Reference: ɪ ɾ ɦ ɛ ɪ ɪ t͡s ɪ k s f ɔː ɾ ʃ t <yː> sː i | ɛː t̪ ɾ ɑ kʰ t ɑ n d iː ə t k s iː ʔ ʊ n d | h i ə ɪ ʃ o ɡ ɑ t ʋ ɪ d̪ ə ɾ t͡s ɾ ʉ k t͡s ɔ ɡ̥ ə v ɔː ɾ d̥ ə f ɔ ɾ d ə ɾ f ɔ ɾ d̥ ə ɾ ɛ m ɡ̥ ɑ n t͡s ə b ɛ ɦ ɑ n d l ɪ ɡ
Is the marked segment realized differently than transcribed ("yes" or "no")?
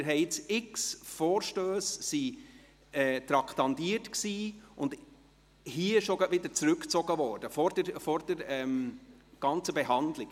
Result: yes